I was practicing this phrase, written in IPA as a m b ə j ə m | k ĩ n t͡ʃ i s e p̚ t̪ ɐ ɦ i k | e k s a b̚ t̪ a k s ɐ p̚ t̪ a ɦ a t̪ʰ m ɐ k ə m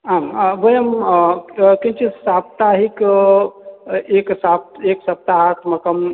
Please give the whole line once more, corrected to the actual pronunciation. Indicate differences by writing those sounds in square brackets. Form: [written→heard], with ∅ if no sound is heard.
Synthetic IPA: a m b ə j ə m | k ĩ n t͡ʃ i s [e→a] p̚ t̪ [ɐ→a] ɦ i k | e k s a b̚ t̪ [a→e] k s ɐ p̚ t̪ a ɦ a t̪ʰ m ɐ k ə m